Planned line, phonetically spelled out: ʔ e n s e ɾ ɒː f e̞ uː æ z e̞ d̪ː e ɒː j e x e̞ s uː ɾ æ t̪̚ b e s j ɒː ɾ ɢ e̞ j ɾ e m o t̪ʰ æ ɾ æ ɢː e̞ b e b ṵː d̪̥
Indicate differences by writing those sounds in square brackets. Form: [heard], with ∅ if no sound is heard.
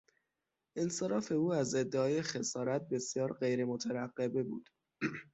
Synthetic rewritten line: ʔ e n s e ɾ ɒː f e̞ uː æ z e̞ d̪ː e ɒː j e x e̞ s [ɒː] ɾ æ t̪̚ b e s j ɒː ɾ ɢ e̞ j ɾ e m o t̪ʰ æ ɾ æ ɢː e̞ b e b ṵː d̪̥